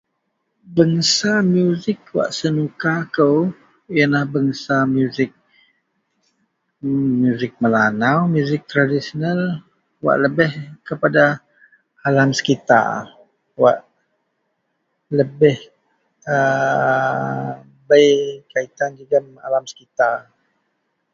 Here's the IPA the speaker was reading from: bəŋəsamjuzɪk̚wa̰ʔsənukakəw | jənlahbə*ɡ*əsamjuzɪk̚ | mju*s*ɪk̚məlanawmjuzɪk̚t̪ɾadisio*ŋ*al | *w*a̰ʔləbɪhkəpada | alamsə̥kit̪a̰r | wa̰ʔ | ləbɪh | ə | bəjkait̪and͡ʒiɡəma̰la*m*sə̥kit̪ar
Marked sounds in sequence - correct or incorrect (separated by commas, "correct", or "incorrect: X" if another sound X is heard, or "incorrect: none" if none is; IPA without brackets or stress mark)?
incorrect: ŋ, incorrect: z, incorrect: n, correct, correct